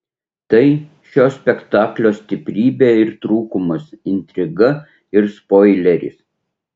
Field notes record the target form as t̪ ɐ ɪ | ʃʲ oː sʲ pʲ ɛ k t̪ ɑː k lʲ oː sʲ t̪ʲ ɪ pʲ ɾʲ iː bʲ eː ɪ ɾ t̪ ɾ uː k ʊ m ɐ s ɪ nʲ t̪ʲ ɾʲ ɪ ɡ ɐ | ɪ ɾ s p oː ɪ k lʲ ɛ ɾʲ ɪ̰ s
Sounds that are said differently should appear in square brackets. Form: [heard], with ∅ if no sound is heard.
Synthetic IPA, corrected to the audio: t̪ ɐ ɪ | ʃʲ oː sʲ pʲ ɛ k t̪ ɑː k lʲ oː sʲ t̪ʲ ɪ pʲ ɾʲ iː bʲ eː ɪ ɾ t̪ ɾ uː k ʊ m ɐ s ɪ nʲ t̪ʲ ɾʲ ɪ ɡ ɐ | ɪ ɾ s p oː ɪ [∅] lʲ ɛ ɾʲ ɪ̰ s